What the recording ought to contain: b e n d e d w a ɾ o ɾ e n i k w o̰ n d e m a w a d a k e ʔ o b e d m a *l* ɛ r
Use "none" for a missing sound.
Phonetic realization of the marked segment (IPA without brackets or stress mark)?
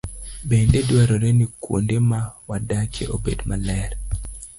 l